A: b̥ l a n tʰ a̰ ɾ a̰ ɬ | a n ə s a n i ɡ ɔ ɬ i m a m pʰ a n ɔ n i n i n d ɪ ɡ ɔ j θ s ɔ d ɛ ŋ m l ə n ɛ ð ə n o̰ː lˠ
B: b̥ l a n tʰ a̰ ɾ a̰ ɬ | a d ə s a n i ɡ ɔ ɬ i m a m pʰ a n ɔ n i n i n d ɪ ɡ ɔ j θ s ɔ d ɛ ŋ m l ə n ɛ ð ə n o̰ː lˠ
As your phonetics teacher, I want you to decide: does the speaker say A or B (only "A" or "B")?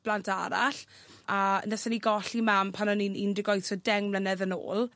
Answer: A